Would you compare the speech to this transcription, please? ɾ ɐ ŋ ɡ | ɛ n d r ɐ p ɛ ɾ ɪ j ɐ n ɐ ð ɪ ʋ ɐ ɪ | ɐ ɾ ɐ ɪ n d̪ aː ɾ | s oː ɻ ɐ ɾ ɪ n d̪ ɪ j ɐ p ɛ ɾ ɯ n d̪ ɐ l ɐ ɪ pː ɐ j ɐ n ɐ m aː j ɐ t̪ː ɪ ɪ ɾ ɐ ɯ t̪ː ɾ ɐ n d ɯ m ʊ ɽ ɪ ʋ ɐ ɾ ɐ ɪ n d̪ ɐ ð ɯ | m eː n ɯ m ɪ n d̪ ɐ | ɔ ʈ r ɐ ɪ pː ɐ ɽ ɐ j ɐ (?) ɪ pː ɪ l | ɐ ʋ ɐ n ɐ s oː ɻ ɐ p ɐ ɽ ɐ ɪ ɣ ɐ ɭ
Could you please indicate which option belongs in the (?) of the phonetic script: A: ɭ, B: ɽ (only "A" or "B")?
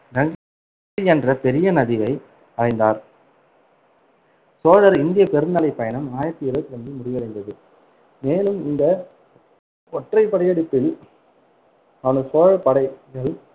B